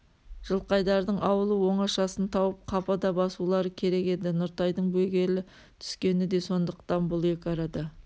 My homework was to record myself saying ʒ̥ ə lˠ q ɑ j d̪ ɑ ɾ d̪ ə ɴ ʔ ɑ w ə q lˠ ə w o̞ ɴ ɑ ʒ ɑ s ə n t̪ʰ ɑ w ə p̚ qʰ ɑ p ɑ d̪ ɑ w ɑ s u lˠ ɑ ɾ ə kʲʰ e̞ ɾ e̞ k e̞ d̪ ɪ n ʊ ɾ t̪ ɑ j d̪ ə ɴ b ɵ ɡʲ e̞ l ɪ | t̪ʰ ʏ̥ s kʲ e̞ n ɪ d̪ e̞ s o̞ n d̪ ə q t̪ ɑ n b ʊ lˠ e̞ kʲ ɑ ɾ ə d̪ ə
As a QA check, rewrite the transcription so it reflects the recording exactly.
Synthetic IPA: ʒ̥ ə lˠ q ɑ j d̪ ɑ ɾ d̪ ə ɴ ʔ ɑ w ə lˠ ə w o̞ ɴ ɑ ʃ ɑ s ə n t̪ʰ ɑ w ə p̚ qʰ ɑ p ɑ d̪ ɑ b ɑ s u lˠ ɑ ɾ ə kʲʰ e̞ ɾ e̞ k e̞ d̪ ɪ n ʊ ɾ t̪ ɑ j d̪ ə ɴ b ɵ ɡʲ e̞ l ɪ | t̪ʰ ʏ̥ s kʲ e̞ n ɪ d̪ e̞ s o̞ n d̪ ə q t̪ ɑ n b ʊ lˠ e̞ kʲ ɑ ɾ ɑ d̪ ɑ